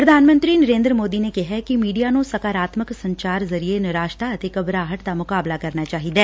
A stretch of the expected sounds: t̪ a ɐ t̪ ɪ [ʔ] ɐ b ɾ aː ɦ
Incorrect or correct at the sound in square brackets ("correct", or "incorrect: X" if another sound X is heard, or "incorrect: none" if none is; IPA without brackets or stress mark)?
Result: incorrect: k